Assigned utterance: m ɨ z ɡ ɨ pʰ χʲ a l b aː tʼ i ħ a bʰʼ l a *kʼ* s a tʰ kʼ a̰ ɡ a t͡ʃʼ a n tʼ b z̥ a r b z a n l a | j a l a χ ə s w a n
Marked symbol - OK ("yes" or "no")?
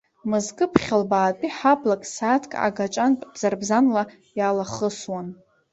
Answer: yes